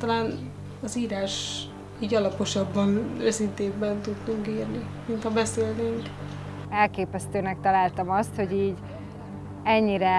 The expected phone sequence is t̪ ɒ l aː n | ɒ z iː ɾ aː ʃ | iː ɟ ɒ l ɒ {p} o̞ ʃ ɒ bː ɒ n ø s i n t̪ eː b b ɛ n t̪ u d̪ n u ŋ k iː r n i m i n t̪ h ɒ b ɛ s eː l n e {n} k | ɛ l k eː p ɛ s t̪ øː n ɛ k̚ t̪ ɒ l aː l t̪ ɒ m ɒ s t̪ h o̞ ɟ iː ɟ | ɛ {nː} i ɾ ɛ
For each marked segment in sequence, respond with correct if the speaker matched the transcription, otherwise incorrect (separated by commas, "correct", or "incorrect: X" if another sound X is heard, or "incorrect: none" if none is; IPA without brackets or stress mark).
correct, incorrect: ŋ, incorrect: ɲː